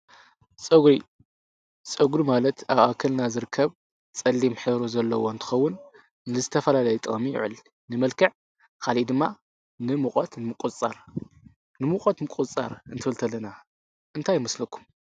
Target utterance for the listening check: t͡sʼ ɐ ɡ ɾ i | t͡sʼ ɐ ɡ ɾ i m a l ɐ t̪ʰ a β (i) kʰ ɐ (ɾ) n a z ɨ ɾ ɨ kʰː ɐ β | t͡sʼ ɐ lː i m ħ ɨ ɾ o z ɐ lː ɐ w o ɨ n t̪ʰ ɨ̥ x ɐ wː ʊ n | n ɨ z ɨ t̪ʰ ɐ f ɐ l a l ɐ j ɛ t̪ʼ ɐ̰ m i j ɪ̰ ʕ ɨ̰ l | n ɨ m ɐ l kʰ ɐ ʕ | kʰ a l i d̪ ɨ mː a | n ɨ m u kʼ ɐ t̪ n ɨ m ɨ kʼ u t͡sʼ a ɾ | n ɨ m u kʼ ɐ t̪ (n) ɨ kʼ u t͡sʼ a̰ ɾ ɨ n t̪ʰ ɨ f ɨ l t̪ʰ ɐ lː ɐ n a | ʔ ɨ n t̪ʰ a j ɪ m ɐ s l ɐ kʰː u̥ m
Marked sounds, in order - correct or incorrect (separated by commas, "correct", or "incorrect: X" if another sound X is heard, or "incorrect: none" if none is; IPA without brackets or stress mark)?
incorrect: a, incorrect: l, incorrect: m